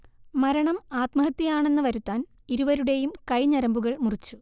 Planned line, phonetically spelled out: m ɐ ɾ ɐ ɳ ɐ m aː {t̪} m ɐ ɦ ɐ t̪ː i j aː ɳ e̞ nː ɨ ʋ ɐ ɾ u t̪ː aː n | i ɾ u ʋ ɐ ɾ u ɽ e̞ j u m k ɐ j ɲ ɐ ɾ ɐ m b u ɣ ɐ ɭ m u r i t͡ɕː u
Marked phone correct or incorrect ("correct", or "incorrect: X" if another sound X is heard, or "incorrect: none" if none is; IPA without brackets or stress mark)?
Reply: correct